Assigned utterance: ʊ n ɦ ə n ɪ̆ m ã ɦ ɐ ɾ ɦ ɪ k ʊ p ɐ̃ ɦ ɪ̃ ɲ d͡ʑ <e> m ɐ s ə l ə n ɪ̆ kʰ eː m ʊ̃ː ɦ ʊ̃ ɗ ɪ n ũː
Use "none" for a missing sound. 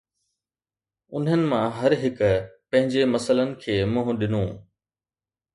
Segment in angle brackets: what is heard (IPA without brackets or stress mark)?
e